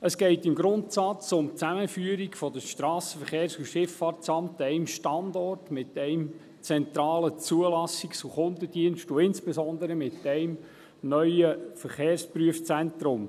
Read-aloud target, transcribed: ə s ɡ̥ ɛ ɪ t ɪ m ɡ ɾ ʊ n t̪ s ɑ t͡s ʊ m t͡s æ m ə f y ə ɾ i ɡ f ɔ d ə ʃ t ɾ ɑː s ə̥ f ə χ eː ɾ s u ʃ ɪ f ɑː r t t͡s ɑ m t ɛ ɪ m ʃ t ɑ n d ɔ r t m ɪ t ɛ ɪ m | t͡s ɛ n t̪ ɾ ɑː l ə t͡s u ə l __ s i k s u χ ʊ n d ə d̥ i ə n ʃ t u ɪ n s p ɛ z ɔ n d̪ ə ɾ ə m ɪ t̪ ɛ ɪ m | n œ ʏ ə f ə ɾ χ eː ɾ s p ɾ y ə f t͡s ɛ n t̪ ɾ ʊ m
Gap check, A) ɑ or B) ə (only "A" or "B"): A